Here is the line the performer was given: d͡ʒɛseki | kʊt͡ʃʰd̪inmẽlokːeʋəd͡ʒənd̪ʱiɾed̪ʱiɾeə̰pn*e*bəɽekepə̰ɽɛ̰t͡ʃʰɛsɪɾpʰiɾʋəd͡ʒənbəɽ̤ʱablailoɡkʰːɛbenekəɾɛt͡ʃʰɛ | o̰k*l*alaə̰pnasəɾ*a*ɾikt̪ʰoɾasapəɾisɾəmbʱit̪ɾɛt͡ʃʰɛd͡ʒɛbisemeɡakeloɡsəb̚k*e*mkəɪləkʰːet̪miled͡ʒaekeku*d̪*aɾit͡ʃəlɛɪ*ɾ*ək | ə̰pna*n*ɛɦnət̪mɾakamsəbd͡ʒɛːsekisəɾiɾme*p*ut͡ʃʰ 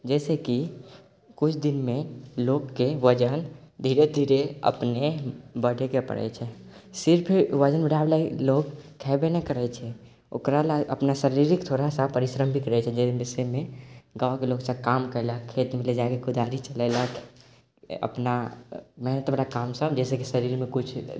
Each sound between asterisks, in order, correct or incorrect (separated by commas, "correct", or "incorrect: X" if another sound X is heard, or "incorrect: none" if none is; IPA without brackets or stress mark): correct, incorrect: ɾ, incorrect: i, incorrect: a, correct, incorrect: l, incorrect: m, incorrect: k